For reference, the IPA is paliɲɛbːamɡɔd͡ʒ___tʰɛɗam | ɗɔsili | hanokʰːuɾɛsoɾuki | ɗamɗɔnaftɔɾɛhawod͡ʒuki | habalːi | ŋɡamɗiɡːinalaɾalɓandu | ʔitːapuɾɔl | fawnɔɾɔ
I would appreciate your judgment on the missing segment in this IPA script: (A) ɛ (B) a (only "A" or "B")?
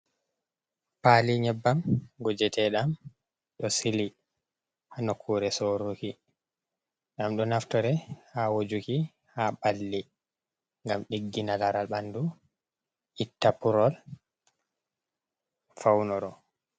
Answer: A